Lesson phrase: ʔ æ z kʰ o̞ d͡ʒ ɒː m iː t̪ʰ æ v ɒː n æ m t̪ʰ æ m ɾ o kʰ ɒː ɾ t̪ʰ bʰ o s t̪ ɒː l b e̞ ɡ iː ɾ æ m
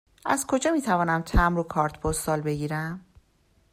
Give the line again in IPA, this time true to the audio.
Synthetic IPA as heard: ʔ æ z kʰ o̞ d͡ʒ ɒː m iː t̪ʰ æ v ɒː n æ m t̪ʰ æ m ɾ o kʰ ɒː ɾ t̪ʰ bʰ o s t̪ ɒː l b e̞ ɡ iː ɾ æ m

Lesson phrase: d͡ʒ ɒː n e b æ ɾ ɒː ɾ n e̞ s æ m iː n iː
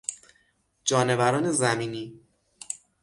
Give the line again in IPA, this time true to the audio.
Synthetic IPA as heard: d͡ʒ ɒː n e v æ ɾ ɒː n e̞ z æ m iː n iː

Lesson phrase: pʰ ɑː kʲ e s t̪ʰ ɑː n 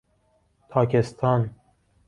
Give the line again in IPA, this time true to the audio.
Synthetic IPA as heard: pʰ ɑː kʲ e s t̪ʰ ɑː n

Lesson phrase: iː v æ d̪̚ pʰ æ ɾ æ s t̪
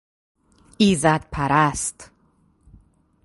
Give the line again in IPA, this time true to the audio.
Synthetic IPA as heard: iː z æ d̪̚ pʰ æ ɾ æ s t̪

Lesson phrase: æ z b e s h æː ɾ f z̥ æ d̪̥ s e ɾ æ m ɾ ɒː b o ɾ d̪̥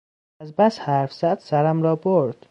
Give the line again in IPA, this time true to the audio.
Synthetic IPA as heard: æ z b æ s h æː ɾ f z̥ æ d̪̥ s æ ɾ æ m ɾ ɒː b o ɾ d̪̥

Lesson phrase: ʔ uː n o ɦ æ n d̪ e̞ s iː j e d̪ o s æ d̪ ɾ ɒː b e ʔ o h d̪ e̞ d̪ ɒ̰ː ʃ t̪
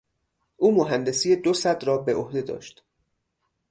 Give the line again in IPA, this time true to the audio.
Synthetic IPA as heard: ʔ uː m o ɦ æ n d̪ e̞ s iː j e d̪ o s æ d̪ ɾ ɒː b e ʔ o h d̪ e̞ d̪ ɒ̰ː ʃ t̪

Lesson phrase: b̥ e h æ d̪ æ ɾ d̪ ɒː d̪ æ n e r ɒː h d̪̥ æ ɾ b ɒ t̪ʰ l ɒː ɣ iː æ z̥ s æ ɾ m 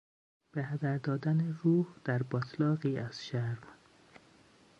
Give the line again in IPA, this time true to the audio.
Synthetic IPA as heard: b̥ e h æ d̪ æ ɾ d̪ ɒː d̪ æ n e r uː h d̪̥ æ ɾ b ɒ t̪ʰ l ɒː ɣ iː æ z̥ ʃ æ ɾ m

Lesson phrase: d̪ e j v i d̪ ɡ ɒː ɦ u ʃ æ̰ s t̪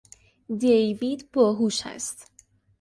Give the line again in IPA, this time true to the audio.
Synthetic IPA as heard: d̪ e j v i d̪ b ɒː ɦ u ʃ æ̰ s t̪

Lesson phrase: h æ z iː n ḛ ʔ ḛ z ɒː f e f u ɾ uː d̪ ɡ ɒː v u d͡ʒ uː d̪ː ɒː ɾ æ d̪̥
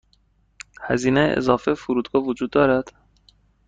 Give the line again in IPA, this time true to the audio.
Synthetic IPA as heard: h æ z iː n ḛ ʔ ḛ z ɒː f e f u ɾ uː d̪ ɡ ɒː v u d͡ʒ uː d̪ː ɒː ɾ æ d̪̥

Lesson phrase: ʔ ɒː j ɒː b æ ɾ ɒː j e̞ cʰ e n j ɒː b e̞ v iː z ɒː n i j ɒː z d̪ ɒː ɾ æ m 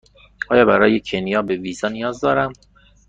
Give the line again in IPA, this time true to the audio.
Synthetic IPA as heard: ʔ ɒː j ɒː b æ ɾ ɒː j e̞ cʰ e n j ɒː b e̞ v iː z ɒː n i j ɒː z d̪ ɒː ɾ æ m

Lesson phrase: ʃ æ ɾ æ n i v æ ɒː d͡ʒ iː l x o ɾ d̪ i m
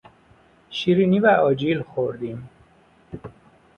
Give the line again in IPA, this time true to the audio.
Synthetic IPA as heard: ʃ i ɾ i n i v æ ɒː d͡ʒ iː l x o ɾ d̪ i m

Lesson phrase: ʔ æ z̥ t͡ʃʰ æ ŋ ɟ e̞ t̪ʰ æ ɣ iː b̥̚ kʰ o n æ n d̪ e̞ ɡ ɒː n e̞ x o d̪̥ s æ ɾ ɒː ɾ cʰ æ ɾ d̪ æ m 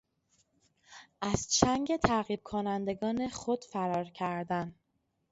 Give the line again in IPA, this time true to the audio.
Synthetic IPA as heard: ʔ æ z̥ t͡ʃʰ æ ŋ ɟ e̞ t̪ʰ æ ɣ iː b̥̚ kʰ o n æ n d̪ e̞ ɡ ɒː n e̞ x o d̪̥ f æ ɾ ɒː ɾ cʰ æ ɾ d̪ æ n

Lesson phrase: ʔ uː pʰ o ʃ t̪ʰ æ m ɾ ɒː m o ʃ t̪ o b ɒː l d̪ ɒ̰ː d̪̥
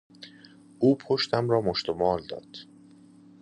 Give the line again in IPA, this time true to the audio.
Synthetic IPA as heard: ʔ uː pʰ o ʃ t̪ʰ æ m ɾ ɒː m o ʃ t̪ o m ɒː l d̪ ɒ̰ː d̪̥

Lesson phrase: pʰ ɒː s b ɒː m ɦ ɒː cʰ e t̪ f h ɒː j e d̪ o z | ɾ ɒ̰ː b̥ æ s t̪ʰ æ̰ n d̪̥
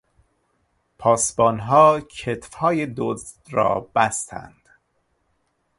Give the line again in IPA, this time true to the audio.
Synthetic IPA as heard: pʰ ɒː s b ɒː n ɦ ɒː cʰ e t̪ f h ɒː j e d̪ o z | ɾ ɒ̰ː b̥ æ s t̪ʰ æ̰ n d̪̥

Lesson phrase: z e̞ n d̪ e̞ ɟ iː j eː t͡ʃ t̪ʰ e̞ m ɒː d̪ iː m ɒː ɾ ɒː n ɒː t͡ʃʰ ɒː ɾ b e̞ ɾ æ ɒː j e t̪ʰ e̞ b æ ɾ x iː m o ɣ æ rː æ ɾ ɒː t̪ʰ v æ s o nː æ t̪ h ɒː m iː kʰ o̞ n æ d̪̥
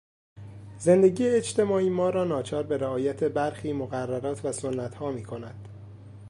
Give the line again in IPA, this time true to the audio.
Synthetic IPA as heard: z e̞ n d̪ e̞ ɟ iː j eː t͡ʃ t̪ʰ e̞ m ɒː iː m ɒː ɾ ɒː n ɒː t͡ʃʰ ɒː ɾ b e̞ ɾ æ ɒː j æ t̪ʰ e̞ b æ ɾ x iː m o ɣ æ rː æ ɾ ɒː t̪ʰ v æ s o nː æ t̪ h ɒː m iː kʰ o̞ n æ d̪̥

